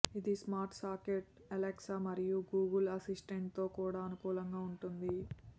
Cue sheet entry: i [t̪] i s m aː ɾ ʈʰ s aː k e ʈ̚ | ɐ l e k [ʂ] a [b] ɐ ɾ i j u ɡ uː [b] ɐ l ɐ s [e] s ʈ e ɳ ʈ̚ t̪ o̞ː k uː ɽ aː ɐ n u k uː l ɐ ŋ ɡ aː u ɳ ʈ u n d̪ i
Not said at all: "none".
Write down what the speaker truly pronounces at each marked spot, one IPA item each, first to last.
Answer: d̪, s, m, ɡ, i

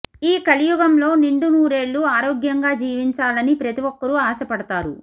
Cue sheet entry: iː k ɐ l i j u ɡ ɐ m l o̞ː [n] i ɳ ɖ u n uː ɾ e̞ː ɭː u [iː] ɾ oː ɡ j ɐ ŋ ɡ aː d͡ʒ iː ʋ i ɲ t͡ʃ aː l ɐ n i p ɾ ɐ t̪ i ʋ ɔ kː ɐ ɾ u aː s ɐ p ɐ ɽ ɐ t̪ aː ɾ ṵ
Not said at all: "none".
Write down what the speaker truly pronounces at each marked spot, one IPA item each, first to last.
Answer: n, aː

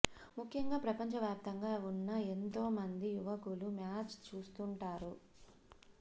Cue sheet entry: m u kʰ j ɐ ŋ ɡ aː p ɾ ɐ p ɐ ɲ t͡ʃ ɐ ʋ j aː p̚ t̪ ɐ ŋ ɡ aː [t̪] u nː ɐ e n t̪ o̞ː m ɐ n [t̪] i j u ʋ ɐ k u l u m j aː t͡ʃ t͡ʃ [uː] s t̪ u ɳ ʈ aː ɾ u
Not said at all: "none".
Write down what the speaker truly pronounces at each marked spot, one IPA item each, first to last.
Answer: none, d̪, uː

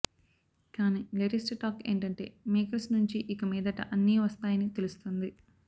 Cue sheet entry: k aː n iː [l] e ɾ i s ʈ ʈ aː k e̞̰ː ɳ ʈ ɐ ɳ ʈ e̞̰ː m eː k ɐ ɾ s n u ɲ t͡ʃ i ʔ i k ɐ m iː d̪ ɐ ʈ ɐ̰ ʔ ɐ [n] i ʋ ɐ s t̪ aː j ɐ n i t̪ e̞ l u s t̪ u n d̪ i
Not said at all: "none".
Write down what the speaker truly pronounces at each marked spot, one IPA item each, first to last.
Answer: l, nː

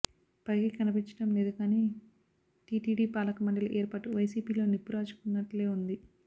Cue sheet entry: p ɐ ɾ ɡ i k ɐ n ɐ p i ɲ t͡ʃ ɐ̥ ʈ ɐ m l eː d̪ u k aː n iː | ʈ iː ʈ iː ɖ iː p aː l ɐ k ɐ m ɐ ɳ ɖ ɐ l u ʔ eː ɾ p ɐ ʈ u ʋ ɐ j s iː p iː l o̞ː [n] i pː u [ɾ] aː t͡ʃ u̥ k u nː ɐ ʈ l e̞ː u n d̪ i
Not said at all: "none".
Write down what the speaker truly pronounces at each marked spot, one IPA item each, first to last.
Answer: n, ɾ

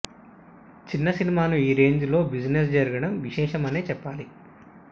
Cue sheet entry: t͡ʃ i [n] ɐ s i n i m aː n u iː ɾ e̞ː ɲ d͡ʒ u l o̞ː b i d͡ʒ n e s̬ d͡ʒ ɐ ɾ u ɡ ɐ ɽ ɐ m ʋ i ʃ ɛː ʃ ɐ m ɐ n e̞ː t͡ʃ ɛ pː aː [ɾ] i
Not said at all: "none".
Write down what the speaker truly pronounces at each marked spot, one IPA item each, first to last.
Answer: nː, l

